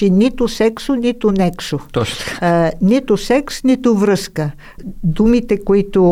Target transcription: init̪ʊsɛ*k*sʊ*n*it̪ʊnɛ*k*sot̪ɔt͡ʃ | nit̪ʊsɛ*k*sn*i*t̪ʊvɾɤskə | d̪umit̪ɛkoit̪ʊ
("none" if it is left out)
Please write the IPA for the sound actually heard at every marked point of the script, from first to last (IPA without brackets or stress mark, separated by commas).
k, n, k, k, i